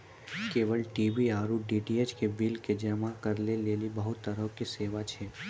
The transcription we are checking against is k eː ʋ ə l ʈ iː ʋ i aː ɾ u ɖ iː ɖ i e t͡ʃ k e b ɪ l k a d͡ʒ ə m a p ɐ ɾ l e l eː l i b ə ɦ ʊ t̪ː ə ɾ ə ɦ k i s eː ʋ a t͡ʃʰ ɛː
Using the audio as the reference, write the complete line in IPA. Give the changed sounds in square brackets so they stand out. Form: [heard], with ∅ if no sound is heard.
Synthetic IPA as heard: k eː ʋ ə l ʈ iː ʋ i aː ɾ u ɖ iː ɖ i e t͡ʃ k e b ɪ l k [e] d͡ʒ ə m a [k] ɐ ɾ l e l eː l i b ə ɦ ʊ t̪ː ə ɾ ə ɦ k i s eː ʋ a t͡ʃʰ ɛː